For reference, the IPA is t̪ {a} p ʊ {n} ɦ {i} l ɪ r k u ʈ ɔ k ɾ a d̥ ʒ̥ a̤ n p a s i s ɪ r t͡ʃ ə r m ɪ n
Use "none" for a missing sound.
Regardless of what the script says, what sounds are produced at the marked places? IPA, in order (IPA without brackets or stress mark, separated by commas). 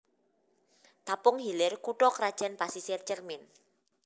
a, ŋ, i